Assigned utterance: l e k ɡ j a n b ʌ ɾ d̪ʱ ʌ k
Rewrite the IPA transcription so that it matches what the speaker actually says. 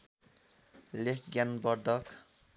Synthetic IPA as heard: l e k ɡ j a n b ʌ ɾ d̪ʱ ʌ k